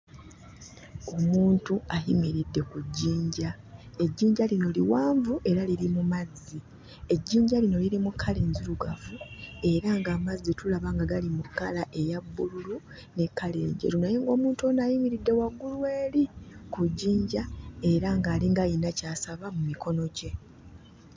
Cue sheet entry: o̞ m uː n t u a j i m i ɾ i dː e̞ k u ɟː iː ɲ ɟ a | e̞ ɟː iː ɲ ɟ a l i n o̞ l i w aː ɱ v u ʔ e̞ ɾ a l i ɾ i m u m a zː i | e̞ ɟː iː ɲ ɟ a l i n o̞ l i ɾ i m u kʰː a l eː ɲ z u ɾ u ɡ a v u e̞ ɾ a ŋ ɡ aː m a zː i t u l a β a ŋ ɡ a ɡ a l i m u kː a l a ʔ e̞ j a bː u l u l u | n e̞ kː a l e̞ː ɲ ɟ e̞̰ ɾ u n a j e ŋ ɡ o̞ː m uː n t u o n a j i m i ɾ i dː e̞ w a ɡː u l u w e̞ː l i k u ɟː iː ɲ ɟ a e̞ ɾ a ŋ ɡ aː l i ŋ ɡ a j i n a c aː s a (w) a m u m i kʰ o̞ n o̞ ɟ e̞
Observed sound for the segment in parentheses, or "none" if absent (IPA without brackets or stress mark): β